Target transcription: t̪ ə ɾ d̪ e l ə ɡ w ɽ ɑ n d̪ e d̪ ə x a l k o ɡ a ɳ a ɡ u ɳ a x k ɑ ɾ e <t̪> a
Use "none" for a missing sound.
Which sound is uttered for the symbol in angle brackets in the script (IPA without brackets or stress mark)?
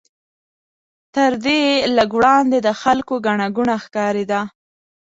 d̪